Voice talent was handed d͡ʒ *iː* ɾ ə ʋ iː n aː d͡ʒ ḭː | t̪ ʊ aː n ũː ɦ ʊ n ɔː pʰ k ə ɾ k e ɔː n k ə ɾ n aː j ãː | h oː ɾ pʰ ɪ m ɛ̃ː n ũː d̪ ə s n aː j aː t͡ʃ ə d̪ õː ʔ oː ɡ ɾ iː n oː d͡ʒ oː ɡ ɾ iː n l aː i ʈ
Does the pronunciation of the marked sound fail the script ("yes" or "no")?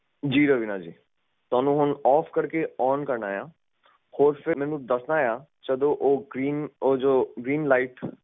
no